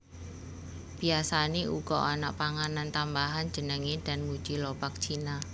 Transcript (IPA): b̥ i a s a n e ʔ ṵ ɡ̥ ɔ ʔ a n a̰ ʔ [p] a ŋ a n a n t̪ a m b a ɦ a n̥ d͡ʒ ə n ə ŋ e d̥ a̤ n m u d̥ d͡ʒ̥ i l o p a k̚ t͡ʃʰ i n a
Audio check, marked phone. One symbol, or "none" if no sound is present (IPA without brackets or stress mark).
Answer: p